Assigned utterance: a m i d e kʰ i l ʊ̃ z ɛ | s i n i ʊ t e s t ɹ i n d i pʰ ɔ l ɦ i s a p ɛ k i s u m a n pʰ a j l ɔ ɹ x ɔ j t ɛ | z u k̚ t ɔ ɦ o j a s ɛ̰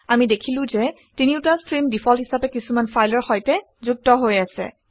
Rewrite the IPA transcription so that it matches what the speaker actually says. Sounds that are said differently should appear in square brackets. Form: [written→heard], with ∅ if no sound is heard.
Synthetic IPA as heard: a m i d e kʰ i l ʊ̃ z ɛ | [s→t] i n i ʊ t [e→a] s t ɹ i [n→m] d i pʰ ɔ l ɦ i s a p ɛ k i s u m a n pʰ a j l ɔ ɹ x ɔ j t ɛ | z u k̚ t ɔ ɦ o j a s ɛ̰

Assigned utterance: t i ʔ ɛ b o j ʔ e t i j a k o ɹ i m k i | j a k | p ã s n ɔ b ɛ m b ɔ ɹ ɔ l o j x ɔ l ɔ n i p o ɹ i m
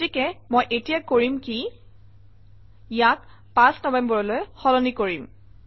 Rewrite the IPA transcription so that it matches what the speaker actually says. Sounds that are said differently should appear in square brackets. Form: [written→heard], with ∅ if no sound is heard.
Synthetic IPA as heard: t i [ʔ→k] ɛ [b→m] o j ʔ e t i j a k o ɹ i m k i | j a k | p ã s n ɔ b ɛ m b ɔ ɹ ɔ l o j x ɔ l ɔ n i [p→k] o ɹ i m

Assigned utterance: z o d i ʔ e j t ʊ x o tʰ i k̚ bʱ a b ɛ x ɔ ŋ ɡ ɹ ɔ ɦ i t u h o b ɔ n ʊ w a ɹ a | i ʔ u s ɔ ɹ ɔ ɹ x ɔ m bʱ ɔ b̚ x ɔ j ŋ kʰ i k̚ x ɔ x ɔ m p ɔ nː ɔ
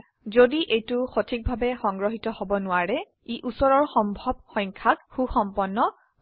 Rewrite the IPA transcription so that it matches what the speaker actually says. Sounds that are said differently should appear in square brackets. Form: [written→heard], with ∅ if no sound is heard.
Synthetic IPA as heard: z o d i ʔ e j t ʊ x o tʰ i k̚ bʱ a b ɛ x ɔ ŋ ɡ ɹ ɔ ɦ i t [u→ɔ] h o b ɔ n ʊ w a ɹ [a→ɛ] | i ʔ u s ɔ ɹ ɔ ɹ x ɔ m bʱ ɔ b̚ x ɔ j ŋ kʰ [i→a] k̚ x [ɔ→u] x ɔ m p ɔ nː ɔ

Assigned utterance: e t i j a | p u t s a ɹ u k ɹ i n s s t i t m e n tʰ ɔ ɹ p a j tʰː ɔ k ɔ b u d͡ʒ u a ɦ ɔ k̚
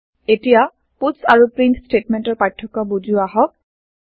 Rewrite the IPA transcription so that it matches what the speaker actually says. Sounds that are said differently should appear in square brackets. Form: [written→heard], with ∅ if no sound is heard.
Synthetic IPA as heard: e t i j a | p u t s a ɹ u [k→p] ɹ i n s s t [i→e] t m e n [tʰ→t] ɔ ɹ p a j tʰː ɔ k ɔ b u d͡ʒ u a ɦ ɔ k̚

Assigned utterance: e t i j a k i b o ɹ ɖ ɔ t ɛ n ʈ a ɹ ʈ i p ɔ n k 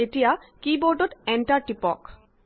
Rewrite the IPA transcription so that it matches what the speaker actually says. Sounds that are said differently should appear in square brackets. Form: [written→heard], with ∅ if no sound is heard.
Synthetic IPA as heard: e t i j a k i b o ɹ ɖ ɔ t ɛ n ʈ a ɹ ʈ i p ɔ [n→∅] k

